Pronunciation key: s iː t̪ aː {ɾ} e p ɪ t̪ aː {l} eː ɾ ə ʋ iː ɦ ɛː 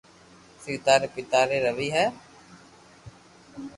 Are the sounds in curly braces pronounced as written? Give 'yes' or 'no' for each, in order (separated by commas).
yes, no